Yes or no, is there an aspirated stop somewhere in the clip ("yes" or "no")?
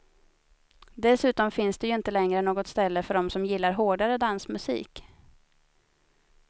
no